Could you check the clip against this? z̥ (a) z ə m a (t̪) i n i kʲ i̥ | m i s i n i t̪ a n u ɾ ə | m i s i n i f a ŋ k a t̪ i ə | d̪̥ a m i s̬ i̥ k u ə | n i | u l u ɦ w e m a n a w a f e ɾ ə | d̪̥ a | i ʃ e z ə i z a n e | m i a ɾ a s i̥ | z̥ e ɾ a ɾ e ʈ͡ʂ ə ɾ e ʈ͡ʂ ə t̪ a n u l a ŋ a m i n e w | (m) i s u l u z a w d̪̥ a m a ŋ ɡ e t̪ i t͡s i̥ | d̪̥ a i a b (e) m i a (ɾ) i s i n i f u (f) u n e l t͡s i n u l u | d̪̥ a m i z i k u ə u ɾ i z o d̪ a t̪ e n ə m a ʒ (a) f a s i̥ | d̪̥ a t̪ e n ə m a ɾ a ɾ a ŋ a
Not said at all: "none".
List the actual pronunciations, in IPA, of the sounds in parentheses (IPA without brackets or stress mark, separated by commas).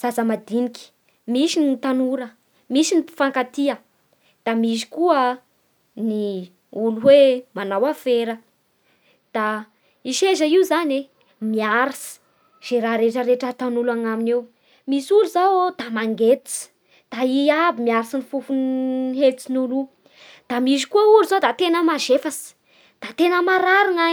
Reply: a, d̪, m, i, ɾ, f, e